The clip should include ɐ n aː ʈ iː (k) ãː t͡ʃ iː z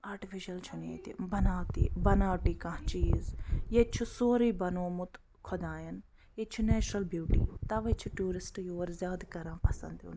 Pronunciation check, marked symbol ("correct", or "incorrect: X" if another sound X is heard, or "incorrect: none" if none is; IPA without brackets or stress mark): correct